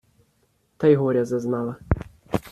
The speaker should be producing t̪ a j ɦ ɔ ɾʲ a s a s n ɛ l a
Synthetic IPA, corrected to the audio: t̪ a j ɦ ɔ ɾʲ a z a z n a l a